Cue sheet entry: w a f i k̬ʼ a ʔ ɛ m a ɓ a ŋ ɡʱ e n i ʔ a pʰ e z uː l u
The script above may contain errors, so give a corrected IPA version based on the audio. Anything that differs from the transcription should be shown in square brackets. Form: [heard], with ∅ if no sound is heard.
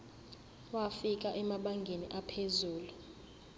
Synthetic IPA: w a f i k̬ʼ a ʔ ɛ m a ɓ a ŋ ɡʱ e n i ʔ a pʰ e z uː l u